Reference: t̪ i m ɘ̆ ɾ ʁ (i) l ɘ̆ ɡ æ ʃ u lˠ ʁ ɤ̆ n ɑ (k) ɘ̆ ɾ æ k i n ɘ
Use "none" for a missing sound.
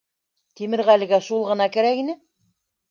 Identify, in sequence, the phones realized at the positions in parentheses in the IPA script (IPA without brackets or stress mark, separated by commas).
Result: æ, k